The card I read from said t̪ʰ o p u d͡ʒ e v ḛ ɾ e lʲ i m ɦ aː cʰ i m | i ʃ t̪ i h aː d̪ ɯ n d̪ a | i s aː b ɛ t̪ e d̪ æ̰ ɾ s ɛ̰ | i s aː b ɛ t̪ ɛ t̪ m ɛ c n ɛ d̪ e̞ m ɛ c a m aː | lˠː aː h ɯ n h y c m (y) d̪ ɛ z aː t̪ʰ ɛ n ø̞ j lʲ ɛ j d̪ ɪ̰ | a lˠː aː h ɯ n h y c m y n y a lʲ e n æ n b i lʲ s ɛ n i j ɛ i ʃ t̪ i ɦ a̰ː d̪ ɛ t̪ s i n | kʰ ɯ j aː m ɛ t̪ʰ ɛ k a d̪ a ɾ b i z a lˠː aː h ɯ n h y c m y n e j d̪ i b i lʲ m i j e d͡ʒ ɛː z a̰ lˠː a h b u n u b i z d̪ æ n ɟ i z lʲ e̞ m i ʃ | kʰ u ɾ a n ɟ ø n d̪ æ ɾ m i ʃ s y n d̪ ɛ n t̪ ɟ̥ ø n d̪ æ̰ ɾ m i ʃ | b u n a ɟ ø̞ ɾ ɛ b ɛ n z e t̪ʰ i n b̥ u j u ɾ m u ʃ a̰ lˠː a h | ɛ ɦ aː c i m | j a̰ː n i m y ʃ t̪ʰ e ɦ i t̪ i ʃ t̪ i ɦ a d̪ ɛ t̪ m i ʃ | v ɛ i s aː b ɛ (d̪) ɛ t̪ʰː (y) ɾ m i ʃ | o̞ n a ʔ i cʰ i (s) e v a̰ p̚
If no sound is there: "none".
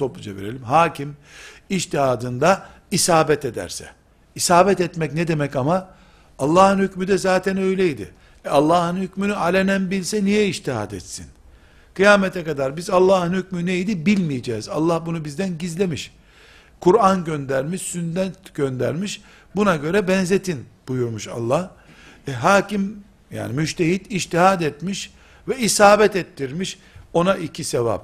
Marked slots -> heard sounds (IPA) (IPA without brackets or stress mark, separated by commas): y, t̪, i, s